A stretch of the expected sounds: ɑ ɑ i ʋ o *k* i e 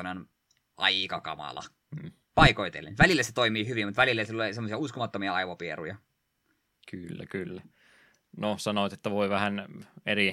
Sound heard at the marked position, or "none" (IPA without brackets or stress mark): p